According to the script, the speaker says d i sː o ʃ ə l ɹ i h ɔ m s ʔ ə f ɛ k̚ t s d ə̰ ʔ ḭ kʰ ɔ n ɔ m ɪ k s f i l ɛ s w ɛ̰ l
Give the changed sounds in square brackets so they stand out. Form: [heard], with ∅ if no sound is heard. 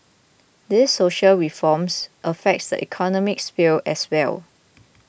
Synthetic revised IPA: d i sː o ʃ ə l ɹ i [f] ɔ m s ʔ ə f ɛ k̚ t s d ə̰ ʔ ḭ kʰ ɔ n ɔ m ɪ k s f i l ɛ s w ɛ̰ l